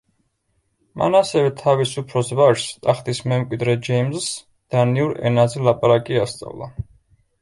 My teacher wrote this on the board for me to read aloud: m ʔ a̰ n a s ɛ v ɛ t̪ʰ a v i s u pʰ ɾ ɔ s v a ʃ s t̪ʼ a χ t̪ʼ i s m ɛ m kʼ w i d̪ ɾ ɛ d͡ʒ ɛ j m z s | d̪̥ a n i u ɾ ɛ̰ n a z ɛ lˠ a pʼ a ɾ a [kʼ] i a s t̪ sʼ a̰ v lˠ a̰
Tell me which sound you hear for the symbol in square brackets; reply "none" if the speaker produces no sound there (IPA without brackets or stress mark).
kʼ